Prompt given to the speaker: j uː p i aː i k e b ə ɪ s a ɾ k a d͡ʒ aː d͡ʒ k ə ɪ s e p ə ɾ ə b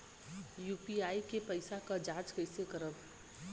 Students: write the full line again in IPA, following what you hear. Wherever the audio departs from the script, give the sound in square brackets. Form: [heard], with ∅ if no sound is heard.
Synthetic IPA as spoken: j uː p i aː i k e [p] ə ɪ s a [∅] k a d͡ʒ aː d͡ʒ k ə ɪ s e [k] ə ɾ ə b